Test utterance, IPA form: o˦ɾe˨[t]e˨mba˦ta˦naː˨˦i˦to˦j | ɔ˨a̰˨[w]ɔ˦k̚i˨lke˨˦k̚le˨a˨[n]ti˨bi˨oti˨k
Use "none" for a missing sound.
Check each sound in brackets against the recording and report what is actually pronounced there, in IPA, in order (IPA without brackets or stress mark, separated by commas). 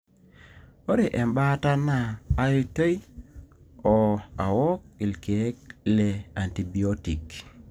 ʔ, w, n